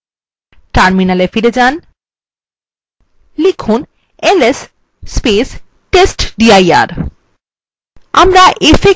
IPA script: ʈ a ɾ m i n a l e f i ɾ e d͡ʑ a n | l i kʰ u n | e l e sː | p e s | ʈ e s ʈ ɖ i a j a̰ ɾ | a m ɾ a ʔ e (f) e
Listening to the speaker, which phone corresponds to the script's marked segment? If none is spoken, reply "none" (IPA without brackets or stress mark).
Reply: f